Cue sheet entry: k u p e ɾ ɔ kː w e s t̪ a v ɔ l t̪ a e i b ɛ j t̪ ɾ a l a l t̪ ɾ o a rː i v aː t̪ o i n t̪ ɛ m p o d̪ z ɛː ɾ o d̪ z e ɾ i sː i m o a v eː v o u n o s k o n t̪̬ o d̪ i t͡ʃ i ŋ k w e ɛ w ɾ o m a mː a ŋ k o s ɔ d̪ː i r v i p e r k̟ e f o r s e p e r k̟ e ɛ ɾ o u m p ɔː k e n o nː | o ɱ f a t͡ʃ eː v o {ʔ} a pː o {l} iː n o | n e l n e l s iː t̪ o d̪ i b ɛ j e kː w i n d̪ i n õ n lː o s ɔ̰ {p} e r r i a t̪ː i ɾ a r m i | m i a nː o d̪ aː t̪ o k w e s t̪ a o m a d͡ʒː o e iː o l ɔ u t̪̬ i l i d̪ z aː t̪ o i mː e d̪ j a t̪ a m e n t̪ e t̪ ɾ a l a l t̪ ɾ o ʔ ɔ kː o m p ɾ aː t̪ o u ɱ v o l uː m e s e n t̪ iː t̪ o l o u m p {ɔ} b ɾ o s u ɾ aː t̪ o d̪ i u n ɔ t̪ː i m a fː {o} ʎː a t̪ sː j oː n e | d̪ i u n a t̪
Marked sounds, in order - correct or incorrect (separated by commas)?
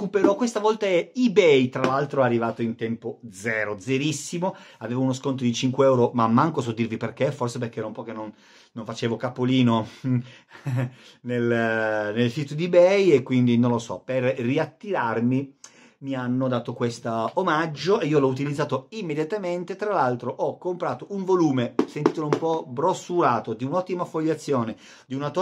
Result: incorrect, correct, correct, correct, correct